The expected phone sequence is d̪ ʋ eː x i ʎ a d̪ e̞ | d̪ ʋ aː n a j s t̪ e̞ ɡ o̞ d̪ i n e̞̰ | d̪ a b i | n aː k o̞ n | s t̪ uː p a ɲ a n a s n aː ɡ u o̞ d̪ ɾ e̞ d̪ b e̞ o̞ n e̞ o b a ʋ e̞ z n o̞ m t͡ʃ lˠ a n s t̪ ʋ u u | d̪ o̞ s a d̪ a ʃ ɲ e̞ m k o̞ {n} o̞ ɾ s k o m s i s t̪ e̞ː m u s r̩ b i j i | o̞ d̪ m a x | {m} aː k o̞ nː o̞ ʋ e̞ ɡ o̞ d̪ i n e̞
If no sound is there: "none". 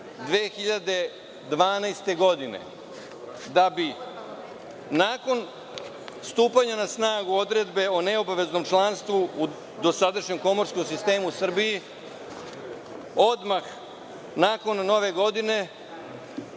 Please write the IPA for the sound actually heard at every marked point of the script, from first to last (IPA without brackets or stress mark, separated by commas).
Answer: m, n